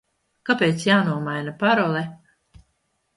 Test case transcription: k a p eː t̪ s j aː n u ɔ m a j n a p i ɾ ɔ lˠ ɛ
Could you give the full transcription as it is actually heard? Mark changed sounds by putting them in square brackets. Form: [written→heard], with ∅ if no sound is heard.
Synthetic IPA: k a p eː t̪ s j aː n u ɔ m a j n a p [i→a] ɾ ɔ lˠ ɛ

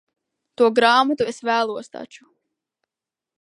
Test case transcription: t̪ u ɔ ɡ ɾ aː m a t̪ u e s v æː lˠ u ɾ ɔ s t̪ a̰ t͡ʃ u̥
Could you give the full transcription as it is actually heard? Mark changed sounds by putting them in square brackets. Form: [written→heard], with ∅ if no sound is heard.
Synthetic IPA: t̪ u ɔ ɡ ɾ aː m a t̪ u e s v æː lˠ u [ɾ→∅] ɔ s t̪ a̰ t͡ʃ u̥

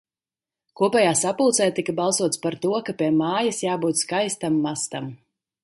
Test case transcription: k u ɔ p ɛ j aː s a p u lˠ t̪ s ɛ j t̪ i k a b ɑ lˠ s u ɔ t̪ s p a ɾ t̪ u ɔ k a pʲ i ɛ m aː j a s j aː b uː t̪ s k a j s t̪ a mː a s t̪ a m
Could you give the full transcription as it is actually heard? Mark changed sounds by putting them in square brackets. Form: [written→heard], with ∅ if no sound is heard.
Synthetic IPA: k u ɔ p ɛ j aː s a p u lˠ t̪ s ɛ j t̪ i k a b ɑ lˠ s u ɔ t̪ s p a ɾ t̪ u ɔ k a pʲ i ɛ m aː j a s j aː b uː t̪ s k a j s t̪ a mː a s t̪ a m

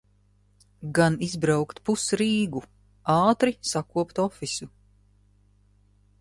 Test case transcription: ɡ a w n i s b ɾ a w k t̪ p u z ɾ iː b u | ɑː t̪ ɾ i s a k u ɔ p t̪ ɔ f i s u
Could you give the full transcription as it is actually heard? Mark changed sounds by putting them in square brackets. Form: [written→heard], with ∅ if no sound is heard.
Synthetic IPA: ɡ a [w→∅] n i [s→z] b ɾ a w k t̪ p u [z→s] ɾ iː [b→ɡ] u | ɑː t̪ ɾ i s a k u ɔ p t̪ ɔ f i s u

